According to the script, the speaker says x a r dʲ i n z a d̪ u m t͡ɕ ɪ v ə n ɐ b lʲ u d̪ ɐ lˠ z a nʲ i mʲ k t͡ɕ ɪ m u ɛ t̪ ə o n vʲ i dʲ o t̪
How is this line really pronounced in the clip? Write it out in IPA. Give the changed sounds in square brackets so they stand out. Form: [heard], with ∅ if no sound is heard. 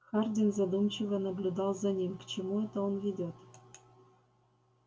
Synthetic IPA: x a r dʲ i n z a d̪ u m t͡ɕ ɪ v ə n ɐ b lʲ u d̪ [ɑ] lˠ z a nʲ i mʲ k t͡ɕ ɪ m u ɛ t̪ ə o n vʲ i dʲ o t̪